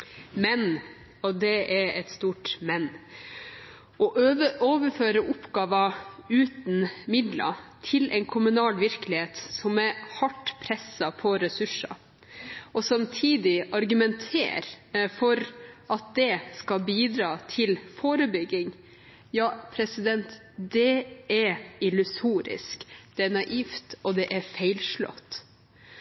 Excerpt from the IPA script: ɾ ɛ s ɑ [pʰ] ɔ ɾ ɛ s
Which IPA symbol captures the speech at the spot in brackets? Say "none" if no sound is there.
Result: pʰ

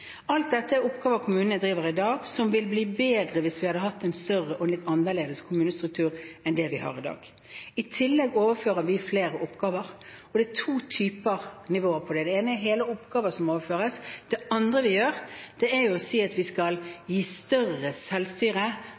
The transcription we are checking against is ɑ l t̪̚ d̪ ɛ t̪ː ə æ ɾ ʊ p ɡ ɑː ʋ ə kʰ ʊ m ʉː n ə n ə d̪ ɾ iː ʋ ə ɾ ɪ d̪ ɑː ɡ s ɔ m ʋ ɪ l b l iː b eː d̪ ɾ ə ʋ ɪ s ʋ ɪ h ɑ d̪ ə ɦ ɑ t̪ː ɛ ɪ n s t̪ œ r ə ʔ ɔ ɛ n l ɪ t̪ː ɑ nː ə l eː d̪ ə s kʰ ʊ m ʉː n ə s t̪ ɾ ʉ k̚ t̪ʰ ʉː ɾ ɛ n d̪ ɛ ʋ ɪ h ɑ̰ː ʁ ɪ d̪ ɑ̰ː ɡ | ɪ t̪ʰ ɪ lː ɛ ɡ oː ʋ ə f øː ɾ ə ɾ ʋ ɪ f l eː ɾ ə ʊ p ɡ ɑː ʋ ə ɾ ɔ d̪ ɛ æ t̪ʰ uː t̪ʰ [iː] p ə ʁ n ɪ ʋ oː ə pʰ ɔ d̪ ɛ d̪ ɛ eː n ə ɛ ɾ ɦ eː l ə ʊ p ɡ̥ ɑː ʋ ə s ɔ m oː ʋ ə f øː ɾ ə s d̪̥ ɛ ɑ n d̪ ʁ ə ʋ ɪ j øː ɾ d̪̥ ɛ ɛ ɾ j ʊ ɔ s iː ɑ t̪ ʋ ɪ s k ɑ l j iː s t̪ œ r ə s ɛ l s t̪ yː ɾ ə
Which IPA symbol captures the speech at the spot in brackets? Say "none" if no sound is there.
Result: yː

